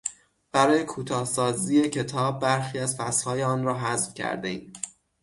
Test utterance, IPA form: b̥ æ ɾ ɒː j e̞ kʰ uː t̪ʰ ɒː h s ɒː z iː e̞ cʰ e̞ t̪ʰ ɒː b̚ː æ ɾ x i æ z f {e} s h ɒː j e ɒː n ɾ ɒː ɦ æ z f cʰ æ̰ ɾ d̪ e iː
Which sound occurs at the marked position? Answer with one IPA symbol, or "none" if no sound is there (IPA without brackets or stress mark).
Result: æ